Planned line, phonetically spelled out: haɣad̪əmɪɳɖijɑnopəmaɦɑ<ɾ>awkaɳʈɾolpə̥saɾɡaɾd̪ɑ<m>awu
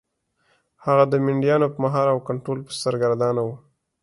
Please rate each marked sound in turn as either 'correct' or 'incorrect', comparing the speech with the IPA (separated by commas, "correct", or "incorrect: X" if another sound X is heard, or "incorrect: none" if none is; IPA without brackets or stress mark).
correct, incorrect: n